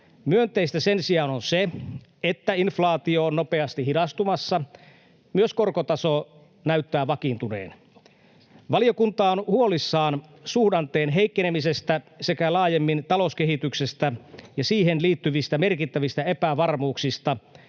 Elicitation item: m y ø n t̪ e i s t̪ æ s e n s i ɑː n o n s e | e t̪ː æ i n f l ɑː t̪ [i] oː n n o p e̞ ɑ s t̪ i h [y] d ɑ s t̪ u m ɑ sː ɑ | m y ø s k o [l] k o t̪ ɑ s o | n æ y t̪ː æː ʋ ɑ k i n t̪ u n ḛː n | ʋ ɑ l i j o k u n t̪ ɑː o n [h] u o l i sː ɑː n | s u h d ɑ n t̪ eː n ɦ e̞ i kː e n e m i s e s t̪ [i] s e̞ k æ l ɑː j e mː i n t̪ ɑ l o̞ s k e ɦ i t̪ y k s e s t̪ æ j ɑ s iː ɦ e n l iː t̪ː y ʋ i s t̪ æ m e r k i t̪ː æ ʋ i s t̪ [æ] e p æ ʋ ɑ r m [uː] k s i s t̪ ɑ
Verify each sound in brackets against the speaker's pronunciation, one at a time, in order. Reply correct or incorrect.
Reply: correct, incorrect: i, incorrect: r, correct, incorrect: æ, correct, correct

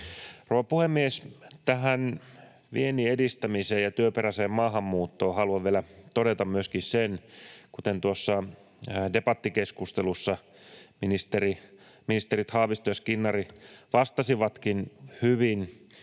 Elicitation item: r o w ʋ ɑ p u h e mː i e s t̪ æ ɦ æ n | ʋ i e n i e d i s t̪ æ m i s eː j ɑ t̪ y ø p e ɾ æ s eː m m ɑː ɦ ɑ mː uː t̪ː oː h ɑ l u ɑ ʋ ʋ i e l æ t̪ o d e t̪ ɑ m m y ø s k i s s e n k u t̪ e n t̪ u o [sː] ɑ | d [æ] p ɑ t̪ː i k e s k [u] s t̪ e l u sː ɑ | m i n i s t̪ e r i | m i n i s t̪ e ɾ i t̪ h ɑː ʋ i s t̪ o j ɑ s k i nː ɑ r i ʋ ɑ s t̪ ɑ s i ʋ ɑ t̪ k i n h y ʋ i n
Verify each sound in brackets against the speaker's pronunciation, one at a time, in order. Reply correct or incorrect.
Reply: correct, incorrect: e, correct

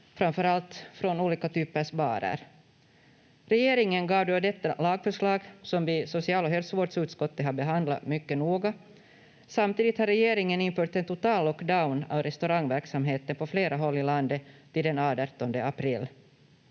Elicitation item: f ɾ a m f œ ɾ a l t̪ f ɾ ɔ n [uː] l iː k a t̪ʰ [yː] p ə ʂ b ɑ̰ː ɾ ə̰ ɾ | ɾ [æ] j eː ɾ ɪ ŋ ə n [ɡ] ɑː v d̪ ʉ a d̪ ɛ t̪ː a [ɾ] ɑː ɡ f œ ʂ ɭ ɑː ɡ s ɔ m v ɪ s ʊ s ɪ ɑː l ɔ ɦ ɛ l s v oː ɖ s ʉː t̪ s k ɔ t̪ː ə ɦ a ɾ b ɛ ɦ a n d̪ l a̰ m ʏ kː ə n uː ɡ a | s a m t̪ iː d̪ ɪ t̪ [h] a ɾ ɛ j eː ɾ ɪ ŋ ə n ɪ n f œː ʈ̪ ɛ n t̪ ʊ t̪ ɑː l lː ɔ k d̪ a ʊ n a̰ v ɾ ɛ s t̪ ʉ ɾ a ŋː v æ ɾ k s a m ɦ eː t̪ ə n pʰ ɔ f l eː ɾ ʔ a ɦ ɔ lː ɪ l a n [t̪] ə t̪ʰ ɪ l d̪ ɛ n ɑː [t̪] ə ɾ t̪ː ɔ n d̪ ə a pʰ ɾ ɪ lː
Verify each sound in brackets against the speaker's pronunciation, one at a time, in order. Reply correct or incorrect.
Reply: correct, correct, incorrect: ɛ, correct, incorrect: l, correct, incorrect: d̪, incorrect: d̪

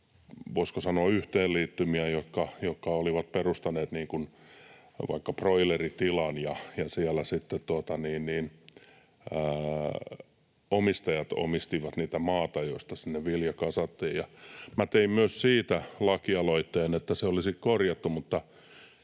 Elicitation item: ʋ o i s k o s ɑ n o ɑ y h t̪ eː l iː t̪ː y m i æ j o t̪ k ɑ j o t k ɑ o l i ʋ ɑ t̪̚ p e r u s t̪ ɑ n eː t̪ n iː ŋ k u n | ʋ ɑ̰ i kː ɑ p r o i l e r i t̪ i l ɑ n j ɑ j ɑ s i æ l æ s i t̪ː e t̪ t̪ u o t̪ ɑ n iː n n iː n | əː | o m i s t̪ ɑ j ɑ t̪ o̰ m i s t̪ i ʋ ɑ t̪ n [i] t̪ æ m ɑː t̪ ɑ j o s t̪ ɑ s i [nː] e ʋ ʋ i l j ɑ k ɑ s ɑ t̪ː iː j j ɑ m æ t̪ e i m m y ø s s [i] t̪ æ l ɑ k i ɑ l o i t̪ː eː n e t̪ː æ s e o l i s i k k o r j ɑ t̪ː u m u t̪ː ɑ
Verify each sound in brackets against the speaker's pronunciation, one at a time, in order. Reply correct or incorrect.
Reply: incorrect: iː, correct, incorrect: iː

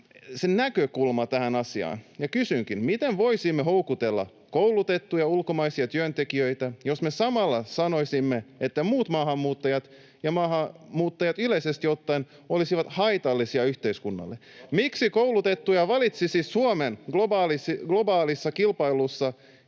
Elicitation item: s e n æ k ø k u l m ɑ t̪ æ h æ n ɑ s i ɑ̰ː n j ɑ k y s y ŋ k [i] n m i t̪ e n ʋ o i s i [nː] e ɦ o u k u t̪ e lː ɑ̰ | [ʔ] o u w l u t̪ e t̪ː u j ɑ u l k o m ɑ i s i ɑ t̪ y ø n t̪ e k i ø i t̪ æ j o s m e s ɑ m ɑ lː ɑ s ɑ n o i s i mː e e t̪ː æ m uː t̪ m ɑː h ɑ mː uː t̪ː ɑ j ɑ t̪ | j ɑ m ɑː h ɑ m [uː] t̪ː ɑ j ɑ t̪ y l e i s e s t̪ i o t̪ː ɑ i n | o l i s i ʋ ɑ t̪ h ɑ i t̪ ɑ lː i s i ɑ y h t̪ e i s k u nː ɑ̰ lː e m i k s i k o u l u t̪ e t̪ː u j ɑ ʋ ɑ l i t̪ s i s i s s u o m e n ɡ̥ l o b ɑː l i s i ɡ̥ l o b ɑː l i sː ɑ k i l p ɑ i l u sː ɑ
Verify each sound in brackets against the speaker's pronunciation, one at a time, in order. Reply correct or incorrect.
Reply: correct, incorrect: mː, incorrect: k, correct

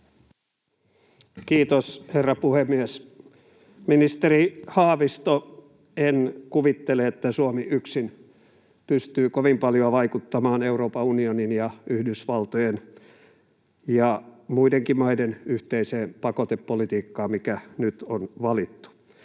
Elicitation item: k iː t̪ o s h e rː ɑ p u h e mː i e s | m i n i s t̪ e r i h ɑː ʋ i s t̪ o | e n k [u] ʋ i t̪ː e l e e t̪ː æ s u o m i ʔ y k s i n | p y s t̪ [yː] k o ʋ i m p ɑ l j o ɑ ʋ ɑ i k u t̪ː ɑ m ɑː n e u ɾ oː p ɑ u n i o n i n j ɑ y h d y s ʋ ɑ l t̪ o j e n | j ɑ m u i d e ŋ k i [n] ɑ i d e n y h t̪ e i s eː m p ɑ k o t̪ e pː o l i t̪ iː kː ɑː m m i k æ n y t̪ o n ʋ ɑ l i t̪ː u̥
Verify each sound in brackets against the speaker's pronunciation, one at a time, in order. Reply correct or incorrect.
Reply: correct, correct, incorrect: m

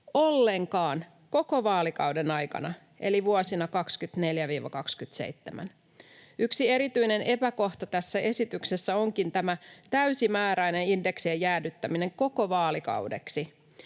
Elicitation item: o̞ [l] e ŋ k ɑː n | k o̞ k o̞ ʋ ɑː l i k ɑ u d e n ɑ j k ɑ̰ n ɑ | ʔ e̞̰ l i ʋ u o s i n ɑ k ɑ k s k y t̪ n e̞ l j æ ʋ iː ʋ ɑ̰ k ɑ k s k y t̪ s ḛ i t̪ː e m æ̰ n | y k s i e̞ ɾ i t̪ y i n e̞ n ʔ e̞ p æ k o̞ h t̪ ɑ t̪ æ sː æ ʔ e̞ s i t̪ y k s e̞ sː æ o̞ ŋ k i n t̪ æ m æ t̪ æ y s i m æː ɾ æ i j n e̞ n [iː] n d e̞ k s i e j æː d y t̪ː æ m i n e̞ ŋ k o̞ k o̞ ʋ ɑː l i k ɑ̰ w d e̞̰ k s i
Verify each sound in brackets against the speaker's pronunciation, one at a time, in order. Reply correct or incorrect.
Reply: incorrect: lː, incorrect: i

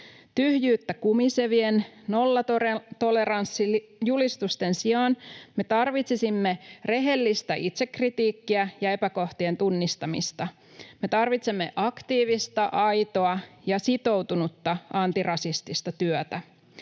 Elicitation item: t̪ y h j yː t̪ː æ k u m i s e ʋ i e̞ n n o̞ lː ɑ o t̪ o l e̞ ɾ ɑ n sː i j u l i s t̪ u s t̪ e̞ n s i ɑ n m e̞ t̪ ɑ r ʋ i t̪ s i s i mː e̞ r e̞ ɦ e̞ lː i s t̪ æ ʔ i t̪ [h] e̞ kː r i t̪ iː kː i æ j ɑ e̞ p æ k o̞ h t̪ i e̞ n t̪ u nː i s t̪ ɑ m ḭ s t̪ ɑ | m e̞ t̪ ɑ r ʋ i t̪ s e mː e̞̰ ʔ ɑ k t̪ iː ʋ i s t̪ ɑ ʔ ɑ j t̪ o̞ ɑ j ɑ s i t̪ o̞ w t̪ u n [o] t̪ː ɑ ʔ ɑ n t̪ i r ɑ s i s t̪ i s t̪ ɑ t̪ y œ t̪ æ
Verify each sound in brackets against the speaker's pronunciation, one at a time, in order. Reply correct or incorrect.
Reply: incorrect: s, incorrect: u

